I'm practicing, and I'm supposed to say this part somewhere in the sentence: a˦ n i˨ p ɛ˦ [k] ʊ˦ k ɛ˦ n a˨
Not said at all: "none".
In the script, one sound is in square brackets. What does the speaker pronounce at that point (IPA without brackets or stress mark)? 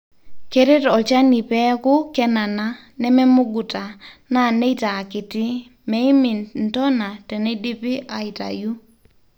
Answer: k